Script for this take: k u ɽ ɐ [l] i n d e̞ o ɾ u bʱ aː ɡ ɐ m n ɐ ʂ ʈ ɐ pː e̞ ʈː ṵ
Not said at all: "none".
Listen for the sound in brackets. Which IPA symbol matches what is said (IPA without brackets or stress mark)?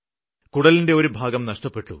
l